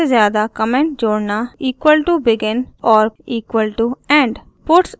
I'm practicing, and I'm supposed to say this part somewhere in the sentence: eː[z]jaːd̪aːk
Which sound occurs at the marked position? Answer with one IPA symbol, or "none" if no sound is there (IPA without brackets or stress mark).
z